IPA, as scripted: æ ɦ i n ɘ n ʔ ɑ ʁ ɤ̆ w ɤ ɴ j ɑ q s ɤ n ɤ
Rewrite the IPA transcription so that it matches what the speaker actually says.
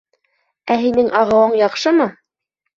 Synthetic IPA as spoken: æ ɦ i n ɘ ŋ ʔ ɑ ʁ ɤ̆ w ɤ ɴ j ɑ q ʃ ɤ m ɤ